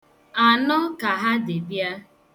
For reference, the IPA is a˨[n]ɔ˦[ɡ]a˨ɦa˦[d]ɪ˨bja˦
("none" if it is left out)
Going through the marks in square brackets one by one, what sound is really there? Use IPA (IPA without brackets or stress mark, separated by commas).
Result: n, k, d